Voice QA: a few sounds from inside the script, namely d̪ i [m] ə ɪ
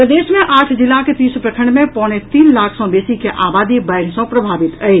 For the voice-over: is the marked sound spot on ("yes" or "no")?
no